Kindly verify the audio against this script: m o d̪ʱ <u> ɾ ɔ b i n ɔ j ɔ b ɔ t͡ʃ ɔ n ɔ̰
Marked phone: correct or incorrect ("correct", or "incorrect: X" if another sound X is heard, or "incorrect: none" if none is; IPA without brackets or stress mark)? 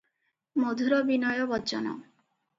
correct